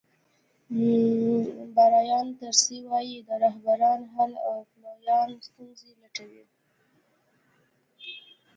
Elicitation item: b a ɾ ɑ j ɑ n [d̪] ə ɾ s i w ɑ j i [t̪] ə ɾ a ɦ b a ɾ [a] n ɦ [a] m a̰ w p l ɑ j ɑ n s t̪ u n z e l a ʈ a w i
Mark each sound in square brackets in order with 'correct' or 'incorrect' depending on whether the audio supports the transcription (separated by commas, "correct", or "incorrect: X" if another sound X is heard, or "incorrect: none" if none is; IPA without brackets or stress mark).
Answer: incorrect: t̪, incorrect: d̪, incorrect: ɑ, correct